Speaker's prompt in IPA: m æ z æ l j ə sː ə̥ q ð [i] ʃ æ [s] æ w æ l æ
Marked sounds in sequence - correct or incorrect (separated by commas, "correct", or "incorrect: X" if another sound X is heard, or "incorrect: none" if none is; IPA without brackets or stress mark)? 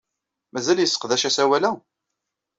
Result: incorrect: æ, correct